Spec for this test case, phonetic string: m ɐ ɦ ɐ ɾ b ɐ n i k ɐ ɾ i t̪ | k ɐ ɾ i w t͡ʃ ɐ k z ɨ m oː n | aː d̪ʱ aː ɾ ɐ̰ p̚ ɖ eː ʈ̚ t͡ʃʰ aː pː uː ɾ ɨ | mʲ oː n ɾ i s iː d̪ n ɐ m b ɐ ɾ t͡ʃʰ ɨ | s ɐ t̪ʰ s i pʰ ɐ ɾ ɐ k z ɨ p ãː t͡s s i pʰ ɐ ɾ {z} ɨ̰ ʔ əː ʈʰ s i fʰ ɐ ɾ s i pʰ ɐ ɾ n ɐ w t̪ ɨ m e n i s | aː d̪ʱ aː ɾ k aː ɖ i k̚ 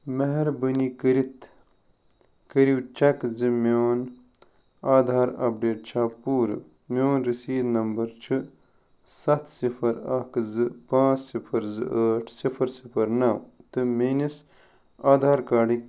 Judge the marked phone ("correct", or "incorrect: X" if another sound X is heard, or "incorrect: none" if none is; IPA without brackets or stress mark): correct